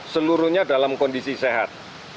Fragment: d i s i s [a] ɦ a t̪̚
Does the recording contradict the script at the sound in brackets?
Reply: yes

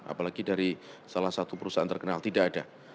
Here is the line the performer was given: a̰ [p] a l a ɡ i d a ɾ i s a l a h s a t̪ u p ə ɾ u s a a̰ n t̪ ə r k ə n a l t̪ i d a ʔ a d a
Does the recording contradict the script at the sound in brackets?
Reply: no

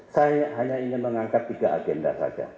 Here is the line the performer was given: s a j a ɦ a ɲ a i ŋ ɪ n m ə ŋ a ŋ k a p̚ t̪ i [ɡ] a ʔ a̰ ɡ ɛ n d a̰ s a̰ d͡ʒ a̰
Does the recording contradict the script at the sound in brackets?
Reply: no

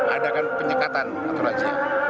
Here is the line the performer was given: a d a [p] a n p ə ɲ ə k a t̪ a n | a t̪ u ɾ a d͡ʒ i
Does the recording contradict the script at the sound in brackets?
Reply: yes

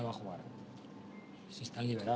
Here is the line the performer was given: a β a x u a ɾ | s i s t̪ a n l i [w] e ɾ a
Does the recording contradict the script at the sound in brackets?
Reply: yes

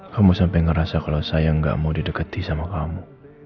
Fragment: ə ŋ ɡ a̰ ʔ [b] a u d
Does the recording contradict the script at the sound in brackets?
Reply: yes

